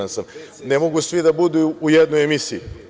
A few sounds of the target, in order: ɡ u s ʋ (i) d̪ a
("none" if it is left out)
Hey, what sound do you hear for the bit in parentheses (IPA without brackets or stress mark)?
i